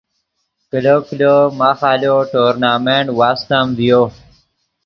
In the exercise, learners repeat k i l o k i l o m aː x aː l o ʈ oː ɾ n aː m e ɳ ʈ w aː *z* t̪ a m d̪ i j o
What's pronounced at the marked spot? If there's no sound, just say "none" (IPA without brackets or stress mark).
s